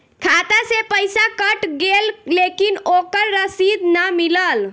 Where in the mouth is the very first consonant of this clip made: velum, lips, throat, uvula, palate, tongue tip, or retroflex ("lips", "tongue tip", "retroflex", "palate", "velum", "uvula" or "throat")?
velum